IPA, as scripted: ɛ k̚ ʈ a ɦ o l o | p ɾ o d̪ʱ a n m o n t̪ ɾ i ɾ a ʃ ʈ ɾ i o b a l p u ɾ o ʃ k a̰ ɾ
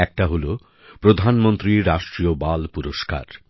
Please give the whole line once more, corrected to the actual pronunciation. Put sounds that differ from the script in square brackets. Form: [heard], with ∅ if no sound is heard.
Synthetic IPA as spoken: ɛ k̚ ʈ a ɦ o l o | p ɾ o d̪ʱ a n m o n t̪ ɾ i ɾ a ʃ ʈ ɾ i o b a l p u ɾ o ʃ k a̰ ɾ